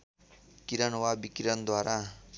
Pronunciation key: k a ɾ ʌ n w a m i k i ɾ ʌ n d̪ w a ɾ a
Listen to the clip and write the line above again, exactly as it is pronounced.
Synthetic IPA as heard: k i ɾ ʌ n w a b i k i ɾ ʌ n d̪ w a ɾ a

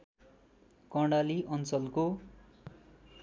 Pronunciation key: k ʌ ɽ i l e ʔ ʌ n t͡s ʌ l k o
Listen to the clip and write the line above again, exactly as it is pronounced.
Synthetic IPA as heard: k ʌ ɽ a l i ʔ ʌ n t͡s ʌ l k o

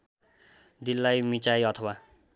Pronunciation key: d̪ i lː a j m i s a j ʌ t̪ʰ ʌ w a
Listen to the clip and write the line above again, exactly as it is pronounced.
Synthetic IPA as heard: d̪ i lː a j m i t͡s a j ʌ t̪ʰ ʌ w a

